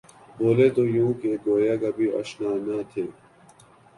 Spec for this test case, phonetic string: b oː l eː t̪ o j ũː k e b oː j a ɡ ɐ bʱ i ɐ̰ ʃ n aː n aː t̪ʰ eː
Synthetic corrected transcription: b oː l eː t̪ o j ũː k e ɡ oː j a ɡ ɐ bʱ i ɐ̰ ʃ n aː n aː t̪ʰ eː